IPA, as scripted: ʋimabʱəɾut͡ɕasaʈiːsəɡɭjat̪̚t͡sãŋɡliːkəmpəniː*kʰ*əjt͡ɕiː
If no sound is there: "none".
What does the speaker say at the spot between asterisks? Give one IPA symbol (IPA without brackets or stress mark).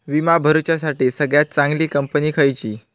kʰ